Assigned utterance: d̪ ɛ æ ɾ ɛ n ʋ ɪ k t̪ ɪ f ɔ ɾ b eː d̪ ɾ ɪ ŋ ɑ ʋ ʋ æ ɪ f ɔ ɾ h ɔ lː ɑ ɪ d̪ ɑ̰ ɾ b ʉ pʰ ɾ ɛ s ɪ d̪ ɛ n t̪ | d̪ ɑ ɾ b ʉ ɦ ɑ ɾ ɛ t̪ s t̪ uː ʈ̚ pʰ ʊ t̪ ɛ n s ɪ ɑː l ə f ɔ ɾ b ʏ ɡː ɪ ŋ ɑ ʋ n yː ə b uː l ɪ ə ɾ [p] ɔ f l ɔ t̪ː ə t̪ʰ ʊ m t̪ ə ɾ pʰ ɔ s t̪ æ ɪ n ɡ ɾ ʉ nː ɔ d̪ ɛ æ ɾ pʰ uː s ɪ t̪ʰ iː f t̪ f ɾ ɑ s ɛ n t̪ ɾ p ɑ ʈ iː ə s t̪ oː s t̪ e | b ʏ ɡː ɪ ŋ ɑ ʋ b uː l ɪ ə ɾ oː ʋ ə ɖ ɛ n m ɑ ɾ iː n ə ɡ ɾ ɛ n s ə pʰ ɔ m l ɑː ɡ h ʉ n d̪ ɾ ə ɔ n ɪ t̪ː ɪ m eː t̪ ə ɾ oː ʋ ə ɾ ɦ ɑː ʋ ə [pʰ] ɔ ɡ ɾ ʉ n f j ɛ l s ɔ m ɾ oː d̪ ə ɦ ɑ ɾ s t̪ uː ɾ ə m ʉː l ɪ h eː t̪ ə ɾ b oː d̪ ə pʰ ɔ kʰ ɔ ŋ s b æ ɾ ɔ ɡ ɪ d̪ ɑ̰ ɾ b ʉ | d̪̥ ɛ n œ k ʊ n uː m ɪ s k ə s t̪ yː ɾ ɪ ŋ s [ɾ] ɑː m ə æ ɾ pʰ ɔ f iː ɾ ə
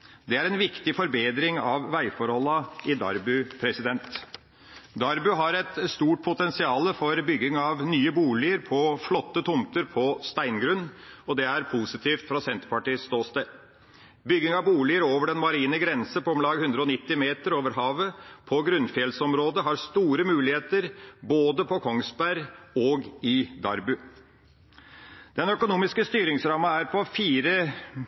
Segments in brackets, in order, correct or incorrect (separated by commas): incorrect, correct, correct